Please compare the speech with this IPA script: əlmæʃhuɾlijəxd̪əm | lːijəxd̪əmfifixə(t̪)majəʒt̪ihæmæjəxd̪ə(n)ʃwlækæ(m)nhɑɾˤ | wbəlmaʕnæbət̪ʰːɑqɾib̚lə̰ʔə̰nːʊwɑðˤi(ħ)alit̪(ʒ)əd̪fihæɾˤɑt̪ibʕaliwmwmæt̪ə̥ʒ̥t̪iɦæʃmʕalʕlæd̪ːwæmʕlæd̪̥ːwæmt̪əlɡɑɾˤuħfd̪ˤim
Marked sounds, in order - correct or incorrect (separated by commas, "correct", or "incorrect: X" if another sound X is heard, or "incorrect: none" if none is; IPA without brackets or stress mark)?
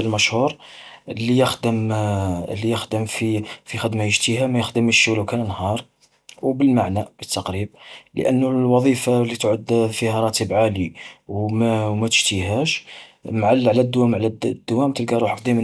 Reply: incorrect: d̪, incorrect: m, incorrect: n, incorrect: f, incorrect: ʕ